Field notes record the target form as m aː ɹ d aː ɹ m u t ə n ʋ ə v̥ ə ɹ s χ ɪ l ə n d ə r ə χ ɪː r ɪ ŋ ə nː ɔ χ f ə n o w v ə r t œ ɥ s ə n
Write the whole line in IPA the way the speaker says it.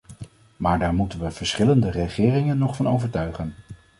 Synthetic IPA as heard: m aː ɹ d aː ɹ m u t ə n ʋ ə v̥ ə ɹ s χ ɪ l ə n d ə r ə χ ɪː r ɪ ŋ ə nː ɔ χ f ɑ n o w v ə ɹ t œ ɥ χ ə n